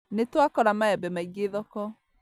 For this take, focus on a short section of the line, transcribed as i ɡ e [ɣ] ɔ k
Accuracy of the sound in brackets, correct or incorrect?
incorrect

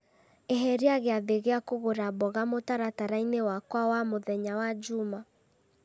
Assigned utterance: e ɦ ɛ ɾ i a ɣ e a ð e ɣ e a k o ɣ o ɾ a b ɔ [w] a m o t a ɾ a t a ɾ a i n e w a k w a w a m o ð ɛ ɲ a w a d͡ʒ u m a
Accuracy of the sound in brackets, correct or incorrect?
incorrect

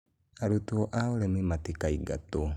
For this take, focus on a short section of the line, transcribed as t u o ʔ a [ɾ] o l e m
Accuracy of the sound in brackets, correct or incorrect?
incorrect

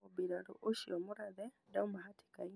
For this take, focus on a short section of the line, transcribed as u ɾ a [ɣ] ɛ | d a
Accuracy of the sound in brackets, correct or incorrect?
incorrect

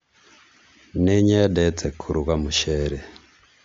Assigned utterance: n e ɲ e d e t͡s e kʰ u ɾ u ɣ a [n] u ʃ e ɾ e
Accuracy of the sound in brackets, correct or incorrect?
incorrect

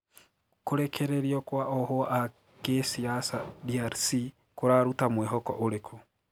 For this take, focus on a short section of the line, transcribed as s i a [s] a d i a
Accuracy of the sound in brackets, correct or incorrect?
correct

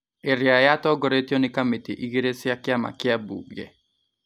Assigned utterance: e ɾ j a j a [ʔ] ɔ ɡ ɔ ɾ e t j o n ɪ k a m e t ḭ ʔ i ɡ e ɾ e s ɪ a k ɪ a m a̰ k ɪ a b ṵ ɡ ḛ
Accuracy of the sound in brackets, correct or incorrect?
incorrect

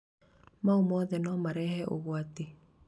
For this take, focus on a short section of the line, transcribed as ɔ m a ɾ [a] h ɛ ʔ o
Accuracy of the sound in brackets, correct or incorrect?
incorrect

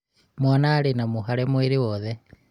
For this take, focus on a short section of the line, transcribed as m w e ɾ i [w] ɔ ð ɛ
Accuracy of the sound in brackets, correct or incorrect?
correct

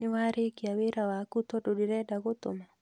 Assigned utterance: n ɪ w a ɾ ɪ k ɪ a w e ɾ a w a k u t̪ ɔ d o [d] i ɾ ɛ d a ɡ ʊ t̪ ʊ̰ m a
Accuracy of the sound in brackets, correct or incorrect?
correct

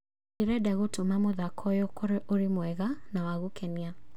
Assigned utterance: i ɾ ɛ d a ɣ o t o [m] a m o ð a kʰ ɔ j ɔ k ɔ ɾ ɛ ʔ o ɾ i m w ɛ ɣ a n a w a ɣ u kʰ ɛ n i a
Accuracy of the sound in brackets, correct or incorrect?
correct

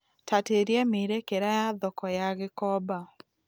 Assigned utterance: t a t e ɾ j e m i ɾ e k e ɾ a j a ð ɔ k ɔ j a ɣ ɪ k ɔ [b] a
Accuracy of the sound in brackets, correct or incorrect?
correct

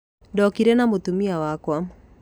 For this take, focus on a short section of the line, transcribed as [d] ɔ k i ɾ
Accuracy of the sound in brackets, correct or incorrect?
correct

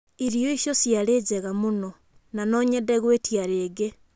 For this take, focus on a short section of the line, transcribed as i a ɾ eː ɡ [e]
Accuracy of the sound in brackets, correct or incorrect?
correct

